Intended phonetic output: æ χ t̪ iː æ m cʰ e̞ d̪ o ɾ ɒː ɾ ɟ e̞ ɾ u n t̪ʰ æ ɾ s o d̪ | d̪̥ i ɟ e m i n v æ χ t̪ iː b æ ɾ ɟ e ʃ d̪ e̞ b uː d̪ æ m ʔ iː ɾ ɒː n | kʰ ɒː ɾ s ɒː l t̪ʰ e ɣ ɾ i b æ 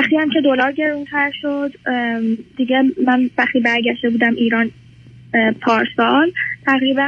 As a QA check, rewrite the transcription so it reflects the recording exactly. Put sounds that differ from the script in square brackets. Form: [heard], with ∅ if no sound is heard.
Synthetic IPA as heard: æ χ t̪ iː æ m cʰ e̞ d̪ o [l] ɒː ɾ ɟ e̞ ɾ u n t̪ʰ æ ɾ [ʃ] o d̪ | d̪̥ i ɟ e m [æ] n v æ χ t̪ iː b æ ɾ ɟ [æ] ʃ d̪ e̞ b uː d̪ æ m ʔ iː ɾ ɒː n | [pʰ] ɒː ɾ s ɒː l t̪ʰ [æ] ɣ ɾ i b æ